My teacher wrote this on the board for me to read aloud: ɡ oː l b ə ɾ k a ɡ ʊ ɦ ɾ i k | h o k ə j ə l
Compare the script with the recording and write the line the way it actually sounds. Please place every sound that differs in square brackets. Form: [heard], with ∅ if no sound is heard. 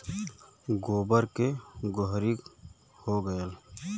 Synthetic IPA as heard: ɡ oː [∅] b ə ɾ k [e] ɡ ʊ ɦ ɾ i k | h o [ɡ] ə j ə l